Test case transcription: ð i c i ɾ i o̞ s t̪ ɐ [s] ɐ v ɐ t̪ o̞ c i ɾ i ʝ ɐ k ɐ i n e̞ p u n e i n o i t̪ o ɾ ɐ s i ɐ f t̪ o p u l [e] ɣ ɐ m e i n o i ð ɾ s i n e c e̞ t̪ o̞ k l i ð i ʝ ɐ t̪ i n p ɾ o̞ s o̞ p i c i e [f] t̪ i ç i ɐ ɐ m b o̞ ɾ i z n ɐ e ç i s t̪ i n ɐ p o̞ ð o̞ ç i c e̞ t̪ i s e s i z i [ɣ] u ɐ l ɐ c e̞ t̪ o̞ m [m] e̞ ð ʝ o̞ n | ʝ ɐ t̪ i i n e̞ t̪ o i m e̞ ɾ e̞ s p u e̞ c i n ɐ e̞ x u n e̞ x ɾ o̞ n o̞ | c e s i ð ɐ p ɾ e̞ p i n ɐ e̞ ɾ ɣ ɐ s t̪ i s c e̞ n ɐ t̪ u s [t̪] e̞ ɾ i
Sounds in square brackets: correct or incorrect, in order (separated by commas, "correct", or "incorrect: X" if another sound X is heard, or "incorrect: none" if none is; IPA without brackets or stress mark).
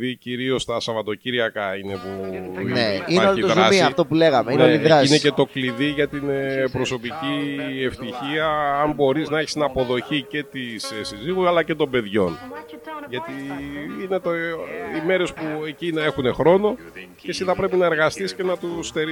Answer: correct, correct, correct, correct, incorrect: b, correct